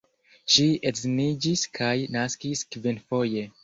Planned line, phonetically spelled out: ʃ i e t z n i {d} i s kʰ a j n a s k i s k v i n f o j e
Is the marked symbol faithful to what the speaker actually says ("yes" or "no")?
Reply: no